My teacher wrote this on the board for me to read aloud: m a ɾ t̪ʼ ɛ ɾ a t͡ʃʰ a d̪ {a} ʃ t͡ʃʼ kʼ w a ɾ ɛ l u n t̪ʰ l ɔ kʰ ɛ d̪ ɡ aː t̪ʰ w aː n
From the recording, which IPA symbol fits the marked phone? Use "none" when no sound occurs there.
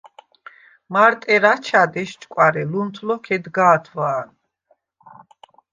ɛ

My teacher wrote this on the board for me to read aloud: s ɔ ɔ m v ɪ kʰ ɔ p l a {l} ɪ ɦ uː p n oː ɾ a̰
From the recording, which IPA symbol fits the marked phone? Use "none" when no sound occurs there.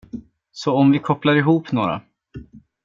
ɾ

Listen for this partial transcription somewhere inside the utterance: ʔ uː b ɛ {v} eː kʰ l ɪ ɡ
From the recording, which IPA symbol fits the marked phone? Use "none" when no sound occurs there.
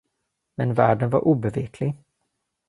v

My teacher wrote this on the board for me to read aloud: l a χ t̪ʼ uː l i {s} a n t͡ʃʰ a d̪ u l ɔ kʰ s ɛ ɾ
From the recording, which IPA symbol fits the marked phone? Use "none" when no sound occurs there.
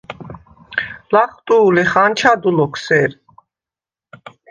χ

